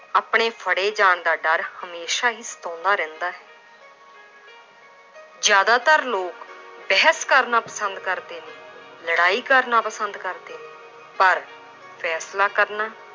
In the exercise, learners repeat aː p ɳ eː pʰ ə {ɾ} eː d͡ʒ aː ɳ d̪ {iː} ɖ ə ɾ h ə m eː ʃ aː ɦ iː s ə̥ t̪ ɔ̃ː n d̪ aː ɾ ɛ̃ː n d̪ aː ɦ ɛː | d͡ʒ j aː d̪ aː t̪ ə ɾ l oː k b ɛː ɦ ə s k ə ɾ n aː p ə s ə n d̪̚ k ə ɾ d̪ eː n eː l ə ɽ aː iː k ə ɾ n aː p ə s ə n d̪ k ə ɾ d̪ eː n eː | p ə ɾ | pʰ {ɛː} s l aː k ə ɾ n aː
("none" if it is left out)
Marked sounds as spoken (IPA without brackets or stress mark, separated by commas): ɽ, aː, ɛː